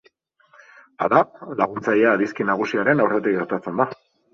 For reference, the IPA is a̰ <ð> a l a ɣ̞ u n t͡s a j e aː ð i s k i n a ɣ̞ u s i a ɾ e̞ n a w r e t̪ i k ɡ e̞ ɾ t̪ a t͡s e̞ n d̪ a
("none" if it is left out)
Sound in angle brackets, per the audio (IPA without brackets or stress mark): ð